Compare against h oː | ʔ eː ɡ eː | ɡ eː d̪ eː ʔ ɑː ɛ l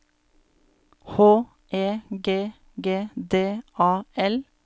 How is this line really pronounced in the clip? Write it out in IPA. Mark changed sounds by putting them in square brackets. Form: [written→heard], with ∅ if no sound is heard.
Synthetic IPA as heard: h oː | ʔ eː ɡ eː | ɡ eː d̪ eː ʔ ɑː ɛ l